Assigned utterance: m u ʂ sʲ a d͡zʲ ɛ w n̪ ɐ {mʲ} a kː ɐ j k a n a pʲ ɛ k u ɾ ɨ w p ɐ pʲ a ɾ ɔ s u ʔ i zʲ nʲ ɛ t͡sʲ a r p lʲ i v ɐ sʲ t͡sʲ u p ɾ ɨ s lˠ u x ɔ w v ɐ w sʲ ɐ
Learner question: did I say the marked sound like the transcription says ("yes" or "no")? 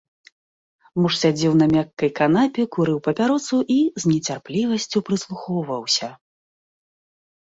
yes